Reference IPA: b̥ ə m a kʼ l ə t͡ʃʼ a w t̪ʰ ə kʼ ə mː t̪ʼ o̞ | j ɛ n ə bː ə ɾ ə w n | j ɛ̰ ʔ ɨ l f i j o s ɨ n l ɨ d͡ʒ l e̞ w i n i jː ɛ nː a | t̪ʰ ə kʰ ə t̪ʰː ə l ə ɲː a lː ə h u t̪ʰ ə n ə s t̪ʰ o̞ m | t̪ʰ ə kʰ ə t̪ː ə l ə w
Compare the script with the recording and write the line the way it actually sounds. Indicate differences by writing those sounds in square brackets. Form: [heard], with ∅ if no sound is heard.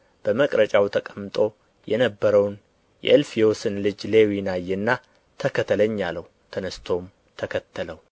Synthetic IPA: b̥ ə m [ə] kʼ [ɾ] ə t͡ʃʼ a w t̪ʰ ə kʼ ə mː t̪ʼ o̞ | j ɛ n ə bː ə ɾ ə w n | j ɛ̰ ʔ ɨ l f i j o s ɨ n l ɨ d͡ʒ l e̞ w i n [a] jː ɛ nː a | t̪ʰ ə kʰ ə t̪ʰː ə l ə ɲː a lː ə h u t̪ʰ ə n ə s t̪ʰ o̞ m | t̪ʰ ə kʰ ə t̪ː ə l ə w